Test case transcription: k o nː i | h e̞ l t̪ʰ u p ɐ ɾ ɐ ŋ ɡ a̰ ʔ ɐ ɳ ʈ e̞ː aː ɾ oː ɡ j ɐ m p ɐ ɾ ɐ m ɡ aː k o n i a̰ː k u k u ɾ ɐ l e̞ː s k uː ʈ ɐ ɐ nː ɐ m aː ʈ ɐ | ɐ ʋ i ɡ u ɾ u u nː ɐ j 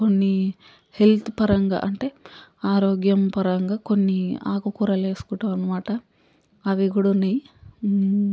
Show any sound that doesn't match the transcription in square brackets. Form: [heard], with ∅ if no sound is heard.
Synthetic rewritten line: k o nː i | h e̞ l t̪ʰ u p ɐ ɾ ɐ ŋ ɡ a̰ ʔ ɐ ɳ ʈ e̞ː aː ɾ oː ɡ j ɐ m p ɐ ɾ ɐ [ŋ] ɡ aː k o [nː] i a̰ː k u k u ɾ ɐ l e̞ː s k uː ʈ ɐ ɐ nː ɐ m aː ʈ ɐ | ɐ ʋ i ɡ u [ɽ] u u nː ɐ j